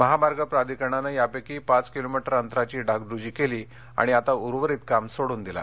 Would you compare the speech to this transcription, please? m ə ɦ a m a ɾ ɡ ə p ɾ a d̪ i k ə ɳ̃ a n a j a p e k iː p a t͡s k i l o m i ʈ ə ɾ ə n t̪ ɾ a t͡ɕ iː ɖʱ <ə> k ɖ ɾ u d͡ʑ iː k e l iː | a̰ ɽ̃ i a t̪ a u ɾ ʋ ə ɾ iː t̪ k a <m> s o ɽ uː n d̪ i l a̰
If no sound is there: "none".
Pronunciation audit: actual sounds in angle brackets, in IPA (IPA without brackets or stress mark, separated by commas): a, m